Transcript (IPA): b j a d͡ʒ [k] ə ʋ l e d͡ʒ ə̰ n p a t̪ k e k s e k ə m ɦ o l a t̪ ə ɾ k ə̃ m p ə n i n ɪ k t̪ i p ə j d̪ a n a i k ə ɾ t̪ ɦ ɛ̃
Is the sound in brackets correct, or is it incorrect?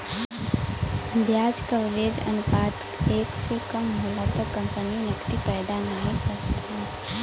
correct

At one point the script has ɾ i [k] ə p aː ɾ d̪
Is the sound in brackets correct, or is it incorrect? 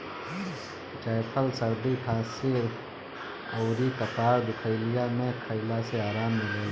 correct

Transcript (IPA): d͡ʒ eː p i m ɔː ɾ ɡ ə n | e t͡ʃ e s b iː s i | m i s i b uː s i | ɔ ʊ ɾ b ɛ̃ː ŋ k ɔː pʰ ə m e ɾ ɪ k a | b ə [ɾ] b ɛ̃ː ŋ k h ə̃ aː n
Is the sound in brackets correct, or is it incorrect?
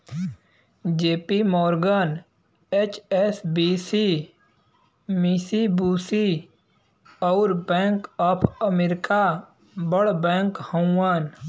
incorrect: ɽ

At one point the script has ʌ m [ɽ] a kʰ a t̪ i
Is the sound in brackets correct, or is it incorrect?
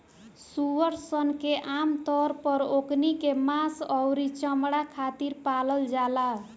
correct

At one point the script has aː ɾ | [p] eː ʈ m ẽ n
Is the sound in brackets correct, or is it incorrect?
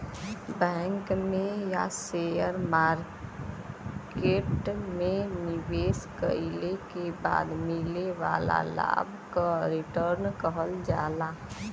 incorrect: k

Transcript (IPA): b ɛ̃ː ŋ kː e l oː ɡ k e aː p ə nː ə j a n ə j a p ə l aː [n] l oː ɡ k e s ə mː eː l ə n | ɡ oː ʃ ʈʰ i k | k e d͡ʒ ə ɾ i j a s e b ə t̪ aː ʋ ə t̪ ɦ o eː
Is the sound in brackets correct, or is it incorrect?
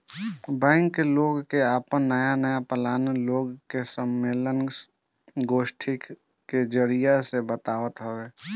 correct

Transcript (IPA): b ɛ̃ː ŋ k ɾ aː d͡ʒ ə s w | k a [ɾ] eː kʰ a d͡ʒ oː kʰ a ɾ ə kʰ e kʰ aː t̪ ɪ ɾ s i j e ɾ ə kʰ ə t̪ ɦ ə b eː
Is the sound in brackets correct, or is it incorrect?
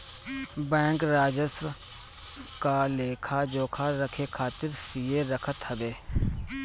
incorrect: l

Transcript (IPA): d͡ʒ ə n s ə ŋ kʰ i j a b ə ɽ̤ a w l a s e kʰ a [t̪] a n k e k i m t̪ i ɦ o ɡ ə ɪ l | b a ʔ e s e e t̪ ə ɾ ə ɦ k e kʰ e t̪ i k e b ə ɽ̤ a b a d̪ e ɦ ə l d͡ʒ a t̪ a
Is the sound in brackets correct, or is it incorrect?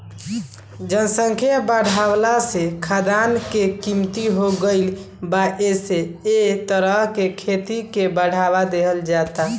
incorrect: d̪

